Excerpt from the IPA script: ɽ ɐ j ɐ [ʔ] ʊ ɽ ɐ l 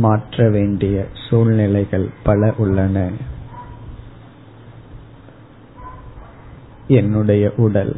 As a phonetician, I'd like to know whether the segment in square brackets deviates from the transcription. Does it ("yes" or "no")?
no